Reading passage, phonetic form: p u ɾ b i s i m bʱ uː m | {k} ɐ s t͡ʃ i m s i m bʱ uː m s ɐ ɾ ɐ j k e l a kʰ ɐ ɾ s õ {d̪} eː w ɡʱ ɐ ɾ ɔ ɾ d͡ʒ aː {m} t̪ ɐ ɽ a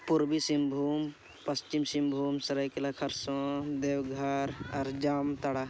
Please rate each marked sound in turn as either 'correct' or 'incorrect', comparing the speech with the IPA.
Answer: incorrect: p, correct, correct

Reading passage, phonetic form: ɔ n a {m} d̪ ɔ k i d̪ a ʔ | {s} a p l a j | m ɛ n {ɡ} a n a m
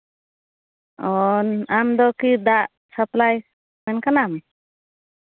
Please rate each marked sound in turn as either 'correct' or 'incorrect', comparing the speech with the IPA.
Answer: correct, correct, incorrect: k

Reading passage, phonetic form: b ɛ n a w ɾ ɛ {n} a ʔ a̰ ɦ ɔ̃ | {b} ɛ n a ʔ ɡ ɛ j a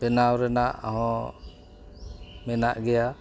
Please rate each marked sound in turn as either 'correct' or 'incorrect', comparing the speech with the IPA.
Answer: correct, incorrect: m

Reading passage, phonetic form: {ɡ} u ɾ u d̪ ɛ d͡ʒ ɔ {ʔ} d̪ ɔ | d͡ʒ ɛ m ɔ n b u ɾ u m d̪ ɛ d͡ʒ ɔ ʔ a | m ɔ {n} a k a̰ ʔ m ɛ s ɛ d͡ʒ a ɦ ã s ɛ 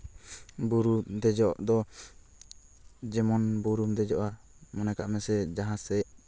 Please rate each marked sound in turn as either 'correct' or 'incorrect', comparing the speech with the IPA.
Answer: incorrect: b, correct, correct

